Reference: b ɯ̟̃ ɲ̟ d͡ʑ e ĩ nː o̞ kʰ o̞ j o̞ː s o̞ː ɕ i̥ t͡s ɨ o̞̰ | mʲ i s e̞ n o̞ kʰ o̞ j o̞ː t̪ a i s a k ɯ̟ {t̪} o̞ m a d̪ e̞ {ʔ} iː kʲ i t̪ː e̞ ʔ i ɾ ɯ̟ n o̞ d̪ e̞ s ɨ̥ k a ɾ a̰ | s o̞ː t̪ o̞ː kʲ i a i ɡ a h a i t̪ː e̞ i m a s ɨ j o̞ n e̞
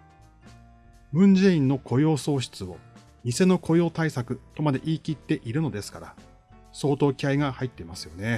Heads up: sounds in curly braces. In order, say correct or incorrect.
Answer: correct, correct

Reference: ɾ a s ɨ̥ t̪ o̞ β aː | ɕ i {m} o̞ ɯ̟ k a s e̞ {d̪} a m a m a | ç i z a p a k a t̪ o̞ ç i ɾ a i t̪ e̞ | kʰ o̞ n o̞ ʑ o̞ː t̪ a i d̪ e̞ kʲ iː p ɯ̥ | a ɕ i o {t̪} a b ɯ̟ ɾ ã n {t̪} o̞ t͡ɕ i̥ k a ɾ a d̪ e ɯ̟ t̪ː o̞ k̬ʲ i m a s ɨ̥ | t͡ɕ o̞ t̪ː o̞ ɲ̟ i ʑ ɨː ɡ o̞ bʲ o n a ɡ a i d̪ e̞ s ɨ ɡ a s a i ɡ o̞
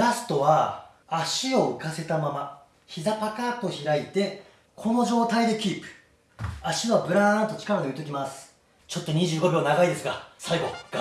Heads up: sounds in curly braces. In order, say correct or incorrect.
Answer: incorrect: none, incorrect: t̪, incorrect: none, correct

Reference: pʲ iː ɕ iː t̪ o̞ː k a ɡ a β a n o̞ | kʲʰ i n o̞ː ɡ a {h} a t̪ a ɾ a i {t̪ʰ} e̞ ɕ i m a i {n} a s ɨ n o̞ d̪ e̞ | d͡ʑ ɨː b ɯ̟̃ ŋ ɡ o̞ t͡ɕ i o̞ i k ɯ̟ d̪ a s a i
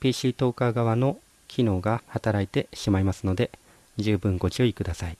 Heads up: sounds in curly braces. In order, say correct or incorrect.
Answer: correct, incorrect: t̪, incorrect: m

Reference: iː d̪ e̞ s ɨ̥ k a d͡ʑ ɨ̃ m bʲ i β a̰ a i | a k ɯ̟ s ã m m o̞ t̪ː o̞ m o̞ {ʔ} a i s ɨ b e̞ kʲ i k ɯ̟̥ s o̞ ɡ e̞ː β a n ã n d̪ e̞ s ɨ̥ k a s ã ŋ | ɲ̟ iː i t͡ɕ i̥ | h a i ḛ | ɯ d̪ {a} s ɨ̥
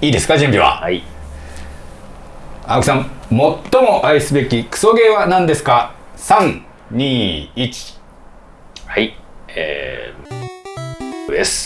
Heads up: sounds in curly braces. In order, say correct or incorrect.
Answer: correct, incorrect: e

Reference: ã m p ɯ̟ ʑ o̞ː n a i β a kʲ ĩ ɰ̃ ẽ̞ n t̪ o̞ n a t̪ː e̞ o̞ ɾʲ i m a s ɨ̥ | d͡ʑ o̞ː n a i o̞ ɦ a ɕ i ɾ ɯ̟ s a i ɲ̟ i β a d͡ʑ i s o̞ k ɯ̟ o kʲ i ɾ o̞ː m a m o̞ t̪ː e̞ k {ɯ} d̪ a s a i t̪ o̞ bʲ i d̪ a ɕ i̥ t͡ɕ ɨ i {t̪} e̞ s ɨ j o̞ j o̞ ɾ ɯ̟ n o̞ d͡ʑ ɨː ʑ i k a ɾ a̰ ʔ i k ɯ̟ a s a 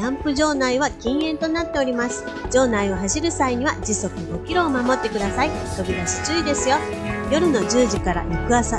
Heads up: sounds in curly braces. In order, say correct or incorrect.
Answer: correct, incorrect: d̪

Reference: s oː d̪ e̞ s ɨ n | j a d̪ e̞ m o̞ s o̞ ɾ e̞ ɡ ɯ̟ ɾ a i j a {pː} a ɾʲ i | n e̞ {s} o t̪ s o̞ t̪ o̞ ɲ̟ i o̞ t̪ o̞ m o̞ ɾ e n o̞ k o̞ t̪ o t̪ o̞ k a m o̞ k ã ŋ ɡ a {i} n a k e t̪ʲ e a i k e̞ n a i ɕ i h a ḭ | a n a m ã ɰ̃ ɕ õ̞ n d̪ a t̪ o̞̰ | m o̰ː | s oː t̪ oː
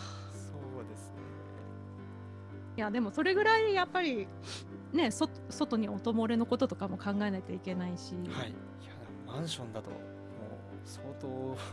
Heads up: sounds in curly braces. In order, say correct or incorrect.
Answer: correct, correct, incorrect: e

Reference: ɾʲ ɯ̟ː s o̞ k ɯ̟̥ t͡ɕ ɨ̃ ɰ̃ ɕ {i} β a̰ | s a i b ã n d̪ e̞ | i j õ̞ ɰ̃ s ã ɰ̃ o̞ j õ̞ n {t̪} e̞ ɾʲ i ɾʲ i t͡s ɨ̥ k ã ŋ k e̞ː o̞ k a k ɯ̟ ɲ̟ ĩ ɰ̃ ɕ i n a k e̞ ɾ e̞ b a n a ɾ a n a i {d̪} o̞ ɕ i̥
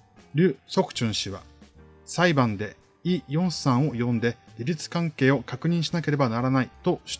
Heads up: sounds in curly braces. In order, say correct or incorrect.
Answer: correct, incorrect: d̪, incorrect: t̪

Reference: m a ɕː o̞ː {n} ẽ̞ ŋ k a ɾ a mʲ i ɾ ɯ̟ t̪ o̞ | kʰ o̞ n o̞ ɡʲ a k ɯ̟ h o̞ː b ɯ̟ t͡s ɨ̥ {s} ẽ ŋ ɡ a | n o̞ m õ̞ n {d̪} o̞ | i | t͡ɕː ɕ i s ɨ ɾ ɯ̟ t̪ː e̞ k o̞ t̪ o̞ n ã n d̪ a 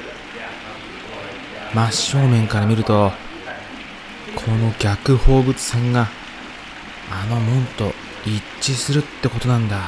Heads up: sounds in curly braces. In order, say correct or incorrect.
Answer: incorrect: m, correct, incorrect: t̪

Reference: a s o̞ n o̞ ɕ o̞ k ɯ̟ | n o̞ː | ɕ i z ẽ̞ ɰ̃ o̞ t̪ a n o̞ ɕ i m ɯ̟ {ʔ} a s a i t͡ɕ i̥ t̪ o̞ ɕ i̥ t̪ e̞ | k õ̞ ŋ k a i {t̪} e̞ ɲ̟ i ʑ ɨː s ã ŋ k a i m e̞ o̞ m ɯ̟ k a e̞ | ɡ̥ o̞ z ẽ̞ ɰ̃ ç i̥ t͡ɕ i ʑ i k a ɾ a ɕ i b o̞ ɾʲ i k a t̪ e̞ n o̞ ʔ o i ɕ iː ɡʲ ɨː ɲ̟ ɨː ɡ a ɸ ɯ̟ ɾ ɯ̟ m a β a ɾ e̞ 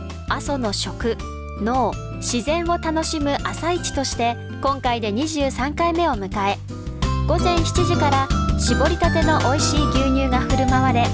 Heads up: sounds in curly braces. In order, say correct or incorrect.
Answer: correct, incorrect: d̪

